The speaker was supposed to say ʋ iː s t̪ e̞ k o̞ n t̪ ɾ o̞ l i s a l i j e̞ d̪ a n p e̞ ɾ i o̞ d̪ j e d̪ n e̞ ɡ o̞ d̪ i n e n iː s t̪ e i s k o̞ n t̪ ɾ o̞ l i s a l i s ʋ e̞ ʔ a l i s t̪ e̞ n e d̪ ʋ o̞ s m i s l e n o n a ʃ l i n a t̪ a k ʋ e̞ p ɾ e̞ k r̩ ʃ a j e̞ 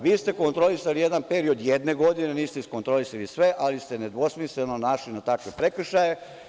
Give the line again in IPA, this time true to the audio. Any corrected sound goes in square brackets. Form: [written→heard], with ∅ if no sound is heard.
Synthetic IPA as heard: ʋ iː s t̪ e̞ k o̞ n t̪ ɾ o̞ l i s a l i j e̞ d̪ a n p e̞ ɾ i o̞ d̪ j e d̪ n e̞ ɡ o̞ d̪ i n e n iː s t̪ e i s k o̞ n t̪ ɾ o̞ l i s a l i s ʋ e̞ ʔ a l i s t̪ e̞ n e d̪ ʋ o̞ s m i s l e n o n a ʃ l i n a t̪ a k ʋ e̞ p ɾ e̞ k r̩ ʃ a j e̞